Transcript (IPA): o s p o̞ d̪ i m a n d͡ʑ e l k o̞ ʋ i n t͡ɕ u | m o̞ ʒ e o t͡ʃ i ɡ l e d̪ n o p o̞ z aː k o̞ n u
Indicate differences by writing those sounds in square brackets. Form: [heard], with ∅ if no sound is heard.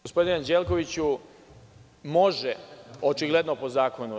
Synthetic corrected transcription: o s p o̞ d̪ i [n] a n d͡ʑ e l k o̞ ʋ i [∅] t͡ɕ u | m o̞ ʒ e o t͡ʃ i ɡ l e d̪ n o p o̞ z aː k o̞ n u